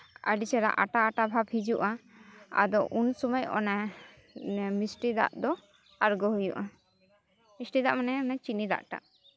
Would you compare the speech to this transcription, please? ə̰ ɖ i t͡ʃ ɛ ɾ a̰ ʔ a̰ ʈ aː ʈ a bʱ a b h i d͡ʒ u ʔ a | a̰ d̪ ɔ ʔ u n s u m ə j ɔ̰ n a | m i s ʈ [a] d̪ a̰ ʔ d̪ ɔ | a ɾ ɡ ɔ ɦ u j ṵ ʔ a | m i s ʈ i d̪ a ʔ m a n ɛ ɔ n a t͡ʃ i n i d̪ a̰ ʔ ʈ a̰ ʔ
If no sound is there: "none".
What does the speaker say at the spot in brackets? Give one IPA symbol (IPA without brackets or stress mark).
i